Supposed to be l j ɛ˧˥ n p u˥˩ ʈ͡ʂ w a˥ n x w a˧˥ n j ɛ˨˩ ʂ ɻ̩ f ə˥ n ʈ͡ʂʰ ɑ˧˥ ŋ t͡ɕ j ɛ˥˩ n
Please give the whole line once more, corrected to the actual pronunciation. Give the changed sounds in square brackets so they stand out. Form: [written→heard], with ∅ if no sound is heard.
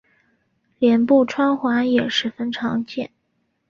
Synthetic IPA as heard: l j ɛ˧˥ n p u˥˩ [ʈ͡ʂ→ʈ͡ʂʰ] w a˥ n x w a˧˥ n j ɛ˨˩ ʂ ɻ̩ f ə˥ n ʈ͡ʂʰ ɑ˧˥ ŋ t͡ɕ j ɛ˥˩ n